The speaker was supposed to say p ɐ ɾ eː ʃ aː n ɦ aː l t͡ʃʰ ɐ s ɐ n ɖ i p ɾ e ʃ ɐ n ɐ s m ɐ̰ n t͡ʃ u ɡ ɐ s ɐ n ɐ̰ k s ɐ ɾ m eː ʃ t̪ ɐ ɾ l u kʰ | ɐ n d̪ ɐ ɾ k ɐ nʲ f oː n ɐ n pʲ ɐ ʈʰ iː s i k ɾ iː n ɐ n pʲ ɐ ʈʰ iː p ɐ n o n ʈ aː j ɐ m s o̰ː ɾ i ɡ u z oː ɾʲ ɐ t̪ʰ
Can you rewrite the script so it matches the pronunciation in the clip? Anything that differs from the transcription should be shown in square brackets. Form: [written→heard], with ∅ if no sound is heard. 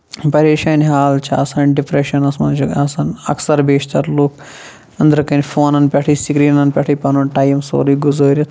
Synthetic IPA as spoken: p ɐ ɾ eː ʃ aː n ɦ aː l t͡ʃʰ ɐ s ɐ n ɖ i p ɾ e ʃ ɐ n ɐ s m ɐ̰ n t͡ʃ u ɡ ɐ s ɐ n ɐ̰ k s ɐ ɾ [m→b] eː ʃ t̪ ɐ ɾ l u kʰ | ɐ n d̪ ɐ ɾ k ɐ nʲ f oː n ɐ n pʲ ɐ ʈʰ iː s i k ɾ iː n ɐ n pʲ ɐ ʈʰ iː p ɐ n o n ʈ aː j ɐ m s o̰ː ɾ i ɡ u z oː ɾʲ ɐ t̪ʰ